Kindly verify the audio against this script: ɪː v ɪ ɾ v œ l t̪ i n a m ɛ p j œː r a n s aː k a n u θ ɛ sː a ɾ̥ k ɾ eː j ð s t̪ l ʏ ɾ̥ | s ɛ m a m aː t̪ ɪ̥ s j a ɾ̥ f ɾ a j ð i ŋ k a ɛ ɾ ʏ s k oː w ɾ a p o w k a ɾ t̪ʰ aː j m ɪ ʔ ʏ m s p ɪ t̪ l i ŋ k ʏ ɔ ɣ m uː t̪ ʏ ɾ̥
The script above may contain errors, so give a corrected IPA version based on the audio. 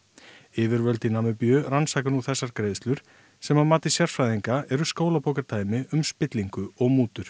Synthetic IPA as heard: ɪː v ɪ ɾ v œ l t̪ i n a m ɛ p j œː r a n s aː k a n u θ ɛ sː a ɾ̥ k ɾ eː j ð s t̪ l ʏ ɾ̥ | s ɛ m a m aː t̪ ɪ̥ s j a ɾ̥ f ɾ a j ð i ŋ k a ɛ ɾ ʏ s k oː w l a p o w k a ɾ t̪ʰ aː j m ɪ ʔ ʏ m s p ɪ t̪ l i ŋ k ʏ ɔ ɣ m uː t̪ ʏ ɾ̥